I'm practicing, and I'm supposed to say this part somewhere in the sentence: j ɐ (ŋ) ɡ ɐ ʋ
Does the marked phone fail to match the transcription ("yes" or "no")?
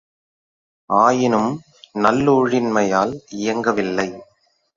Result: no